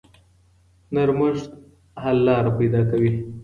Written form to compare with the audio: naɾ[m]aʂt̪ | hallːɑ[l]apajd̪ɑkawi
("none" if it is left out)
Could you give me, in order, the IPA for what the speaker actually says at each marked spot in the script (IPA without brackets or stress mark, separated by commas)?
m, ɾ